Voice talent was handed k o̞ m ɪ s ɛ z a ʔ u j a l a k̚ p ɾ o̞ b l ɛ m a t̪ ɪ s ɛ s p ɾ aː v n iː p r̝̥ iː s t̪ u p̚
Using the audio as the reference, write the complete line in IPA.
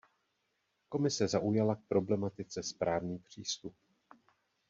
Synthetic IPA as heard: k o̞ m ɪ s ɛ z a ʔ u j a l a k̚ p ɾ o̞ b l ɛ m a t̪ ɪ t͡s ɛ s p ɾ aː v n iː p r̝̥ iː s t̪ u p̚